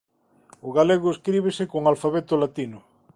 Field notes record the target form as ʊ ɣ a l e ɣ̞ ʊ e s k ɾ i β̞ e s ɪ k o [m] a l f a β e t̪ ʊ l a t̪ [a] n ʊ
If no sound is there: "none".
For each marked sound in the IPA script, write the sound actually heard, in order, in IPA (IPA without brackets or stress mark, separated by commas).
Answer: ŋ, i